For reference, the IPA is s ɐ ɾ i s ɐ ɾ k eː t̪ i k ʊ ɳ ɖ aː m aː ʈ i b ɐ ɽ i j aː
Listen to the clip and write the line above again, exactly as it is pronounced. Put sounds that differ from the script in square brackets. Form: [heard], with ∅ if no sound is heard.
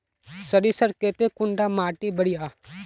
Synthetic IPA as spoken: s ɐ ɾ i s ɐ ɾ k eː t̪ [e] k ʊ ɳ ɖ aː m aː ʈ i b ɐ ɽ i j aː